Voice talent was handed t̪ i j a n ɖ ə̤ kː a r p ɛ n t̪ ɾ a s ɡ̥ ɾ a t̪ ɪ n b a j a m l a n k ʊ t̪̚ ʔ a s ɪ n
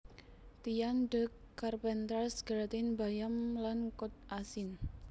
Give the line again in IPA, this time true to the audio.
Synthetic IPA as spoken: t̪ i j a n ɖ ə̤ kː a r p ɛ n t̪ ɾ a s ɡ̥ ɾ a t̪ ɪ n b a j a m l a n k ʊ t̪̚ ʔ a s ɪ n